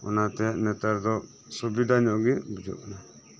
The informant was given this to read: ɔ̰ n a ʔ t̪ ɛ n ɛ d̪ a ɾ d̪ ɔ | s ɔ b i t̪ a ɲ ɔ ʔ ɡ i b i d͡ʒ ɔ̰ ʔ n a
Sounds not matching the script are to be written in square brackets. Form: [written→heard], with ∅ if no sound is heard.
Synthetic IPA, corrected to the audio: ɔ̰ n a [ʔ→∅] t̪ ɛ n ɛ [d̪→t̪] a ɾ d̪ ɔ | s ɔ b i [t̪→d̪] a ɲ ɔ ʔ ɡ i b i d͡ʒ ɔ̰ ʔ n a